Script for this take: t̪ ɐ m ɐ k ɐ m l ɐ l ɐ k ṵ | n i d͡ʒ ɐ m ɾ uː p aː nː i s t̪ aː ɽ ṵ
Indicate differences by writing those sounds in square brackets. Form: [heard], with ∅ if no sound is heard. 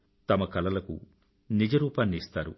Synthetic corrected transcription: t̪ ɐ m ɐ k ɐ [∅] l ɐ l ɐ k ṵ | n i d͡ʒ ɐ [∅] ɾ uː p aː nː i s t̪ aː [ɾ] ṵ